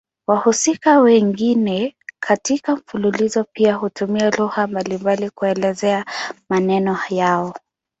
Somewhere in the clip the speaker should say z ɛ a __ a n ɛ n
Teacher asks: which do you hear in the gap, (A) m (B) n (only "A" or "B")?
A